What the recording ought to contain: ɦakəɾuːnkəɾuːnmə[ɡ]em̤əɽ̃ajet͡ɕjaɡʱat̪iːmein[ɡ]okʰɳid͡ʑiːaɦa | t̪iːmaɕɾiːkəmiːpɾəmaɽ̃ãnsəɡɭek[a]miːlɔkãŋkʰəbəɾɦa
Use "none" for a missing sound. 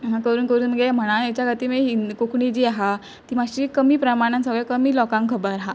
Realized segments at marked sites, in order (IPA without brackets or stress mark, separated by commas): ɡ, k, ə